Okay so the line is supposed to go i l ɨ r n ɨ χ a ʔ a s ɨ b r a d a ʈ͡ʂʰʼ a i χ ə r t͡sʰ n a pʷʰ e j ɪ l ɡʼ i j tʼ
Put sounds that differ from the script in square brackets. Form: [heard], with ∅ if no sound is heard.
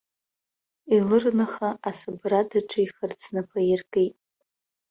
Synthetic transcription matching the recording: i l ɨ r n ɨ χ a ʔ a s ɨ b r a d a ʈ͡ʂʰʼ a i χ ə r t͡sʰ n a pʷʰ [a] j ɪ [r] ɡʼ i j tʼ